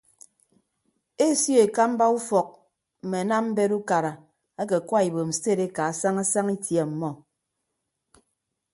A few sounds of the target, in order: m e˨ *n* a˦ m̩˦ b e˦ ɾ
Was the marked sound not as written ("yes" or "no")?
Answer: no